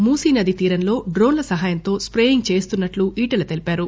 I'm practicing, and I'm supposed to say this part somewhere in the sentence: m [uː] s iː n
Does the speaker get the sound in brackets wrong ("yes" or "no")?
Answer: no